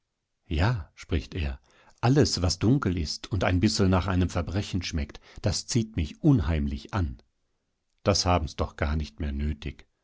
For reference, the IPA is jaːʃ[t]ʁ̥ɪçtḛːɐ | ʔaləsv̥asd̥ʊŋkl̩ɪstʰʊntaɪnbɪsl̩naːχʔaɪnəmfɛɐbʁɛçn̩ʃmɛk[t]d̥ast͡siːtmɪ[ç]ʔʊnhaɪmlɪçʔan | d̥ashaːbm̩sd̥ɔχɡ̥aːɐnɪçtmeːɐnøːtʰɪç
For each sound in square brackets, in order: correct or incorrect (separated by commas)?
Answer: incorrect, correct, correct